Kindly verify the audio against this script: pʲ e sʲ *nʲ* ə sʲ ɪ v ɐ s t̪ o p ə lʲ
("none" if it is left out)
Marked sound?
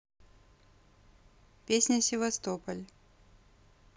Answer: nʲ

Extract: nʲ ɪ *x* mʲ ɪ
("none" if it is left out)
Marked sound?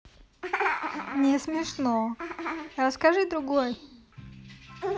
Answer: s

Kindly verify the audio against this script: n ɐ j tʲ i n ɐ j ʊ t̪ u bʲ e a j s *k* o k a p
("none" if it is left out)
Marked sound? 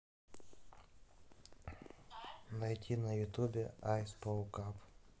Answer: p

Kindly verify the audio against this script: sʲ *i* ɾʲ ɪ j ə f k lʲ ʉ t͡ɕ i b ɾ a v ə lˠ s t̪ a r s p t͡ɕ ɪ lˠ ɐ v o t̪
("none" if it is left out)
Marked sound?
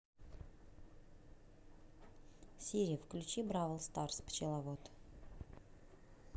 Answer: i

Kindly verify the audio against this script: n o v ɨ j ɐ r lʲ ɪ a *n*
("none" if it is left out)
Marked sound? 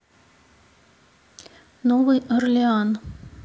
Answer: n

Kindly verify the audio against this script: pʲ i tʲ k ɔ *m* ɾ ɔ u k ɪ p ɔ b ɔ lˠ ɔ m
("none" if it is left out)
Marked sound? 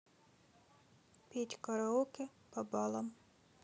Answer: none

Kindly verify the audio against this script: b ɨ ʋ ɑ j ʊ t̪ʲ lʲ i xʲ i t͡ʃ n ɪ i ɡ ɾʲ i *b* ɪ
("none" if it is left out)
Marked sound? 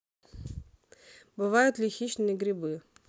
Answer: b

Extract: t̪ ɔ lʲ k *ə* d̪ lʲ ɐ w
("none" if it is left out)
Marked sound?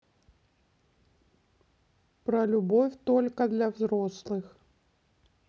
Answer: ɐ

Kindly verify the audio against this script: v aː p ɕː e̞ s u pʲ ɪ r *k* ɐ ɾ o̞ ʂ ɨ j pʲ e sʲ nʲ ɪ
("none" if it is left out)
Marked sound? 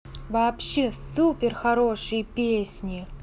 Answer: x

